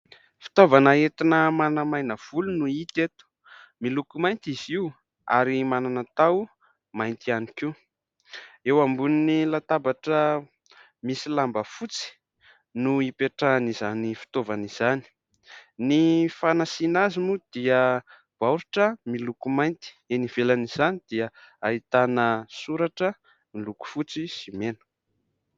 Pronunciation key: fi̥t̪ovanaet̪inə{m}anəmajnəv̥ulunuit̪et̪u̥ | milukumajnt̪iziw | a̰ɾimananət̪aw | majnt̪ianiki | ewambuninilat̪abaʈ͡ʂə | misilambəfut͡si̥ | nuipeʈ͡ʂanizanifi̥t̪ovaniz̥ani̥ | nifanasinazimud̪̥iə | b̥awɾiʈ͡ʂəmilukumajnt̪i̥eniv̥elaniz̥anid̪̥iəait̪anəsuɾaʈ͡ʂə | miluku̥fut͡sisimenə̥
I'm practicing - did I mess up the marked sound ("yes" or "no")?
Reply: no